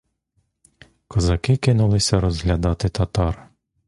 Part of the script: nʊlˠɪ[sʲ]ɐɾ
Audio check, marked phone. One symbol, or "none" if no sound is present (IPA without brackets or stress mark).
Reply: sʲ